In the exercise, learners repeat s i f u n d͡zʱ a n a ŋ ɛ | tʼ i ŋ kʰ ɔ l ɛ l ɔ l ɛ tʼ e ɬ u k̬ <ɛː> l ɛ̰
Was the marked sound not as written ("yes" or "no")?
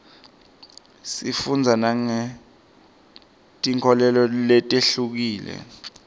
yes